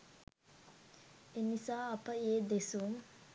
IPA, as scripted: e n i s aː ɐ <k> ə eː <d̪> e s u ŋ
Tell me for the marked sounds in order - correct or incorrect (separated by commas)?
incorrect, correct